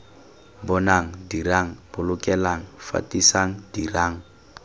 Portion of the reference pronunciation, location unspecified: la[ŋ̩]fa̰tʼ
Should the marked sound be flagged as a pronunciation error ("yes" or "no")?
no